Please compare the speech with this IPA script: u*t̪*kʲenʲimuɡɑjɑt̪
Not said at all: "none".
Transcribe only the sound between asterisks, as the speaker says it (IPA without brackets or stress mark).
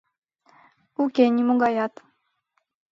none